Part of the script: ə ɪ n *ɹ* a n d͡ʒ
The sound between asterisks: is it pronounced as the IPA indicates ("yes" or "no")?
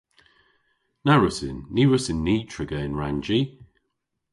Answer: yes